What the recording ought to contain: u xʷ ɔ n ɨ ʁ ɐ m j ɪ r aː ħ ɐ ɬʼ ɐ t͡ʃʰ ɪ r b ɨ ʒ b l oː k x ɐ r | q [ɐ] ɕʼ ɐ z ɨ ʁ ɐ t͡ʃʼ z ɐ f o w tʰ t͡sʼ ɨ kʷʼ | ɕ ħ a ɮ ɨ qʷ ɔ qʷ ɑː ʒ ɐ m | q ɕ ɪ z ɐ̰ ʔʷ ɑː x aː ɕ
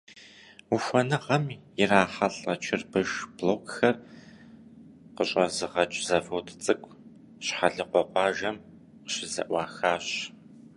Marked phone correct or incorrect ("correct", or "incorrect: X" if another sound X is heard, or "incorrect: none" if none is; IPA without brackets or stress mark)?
incorrect: ə